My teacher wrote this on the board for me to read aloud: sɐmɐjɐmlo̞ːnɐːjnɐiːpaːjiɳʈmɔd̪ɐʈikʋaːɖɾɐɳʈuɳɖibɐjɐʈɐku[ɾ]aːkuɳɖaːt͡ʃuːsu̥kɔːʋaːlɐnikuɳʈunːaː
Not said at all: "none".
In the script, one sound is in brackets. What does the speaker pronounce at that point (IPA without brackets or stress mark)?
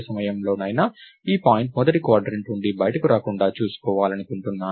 ɾ